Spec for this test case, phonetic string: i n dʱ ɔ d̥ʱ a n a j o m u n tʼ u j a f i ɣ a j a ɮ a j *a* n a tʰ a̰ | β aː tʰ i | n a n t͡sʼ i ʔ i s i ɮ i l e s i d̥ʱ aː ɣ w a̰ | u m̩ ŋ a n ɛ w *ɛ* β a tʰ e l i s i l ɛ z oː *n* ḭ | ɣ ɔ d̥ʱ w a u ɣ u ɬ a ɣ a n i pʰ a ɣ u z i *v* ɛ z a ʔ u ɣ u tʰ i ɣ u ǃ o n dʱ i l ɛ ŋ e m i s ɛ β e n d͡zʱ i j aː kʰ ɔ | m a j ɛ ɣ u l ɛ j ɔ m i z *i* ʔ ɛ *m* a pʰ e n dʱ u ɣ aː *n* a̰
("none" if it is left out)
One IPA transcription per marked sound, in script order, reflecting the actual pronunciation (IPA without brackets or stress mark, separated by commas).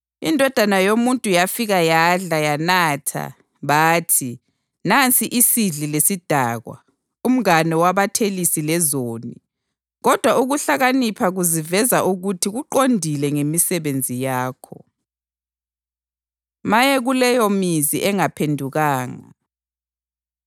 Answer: a, a, n, v, i, ŋ, ŋ